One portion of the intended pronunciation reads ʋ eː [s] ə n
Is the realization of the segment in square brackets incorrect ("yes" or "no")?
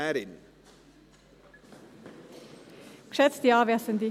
no